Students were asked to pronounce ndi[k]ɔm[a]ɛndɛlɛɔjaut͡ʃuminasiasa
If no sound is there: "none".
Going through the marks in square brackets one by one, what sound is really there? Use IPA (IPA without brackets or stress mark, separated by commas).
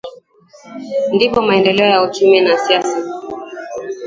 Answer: p, a